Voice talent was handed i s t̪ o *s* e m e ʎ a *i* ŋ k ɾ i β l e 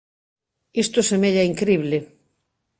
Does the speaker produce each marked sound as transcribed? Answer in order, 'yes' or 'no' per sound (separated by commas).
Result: yes, yes